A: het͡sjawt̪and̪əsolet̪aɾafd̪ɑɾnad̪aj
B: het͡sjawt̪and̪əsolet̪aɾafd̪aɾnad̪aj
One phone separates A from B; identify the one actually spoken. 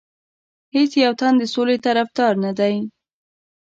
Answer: A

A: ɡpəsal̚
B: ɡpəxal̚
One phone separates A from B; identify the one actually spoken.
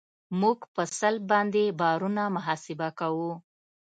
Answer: A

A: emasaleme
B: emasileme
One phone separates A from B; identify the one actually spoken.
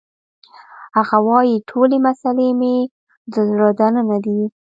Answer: A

